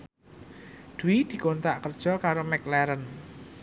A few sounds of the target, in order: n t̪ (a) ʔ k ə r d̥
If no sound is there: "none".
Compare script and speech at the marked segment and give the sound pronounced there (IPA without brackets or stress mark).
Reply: a